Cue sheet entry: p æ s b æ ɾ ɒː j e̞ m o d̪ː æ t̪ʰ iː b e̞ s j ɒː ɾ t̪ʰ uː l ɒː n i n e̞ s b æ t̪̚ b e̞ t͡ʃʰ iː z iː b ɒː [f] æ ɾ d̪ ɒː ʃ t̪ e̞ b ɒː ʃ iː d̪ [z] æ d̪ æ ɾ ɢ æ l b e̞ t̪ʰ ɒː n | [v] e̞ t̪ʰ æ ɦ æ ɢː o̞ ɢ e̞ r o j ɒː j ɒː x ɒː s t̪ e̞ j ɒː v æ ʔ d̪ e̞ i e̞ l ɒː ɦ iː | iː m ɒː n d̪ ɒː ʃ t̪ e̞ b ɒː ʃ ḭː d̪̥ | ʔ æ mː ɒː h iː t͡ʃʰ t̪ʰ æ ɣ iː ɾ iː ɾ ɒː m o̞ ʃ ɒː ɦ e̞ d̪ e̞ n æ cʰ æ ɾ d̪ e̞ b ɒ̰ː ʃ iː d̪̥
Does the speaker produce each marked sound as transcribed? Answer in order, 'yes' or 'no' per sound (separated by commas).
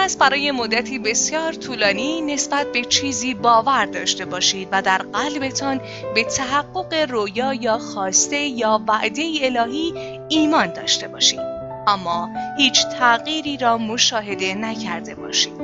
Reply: no, no, no